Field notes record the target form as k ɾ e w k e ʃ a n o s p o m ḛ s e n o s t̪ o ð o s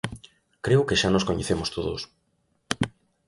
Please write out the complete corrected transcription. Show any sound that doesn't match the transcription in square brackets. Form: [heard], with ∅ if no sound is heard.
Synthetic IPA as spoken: k ɾ e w k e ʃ a n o s [k] o [ɲ] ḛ [θ] e [m] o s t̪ o ð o s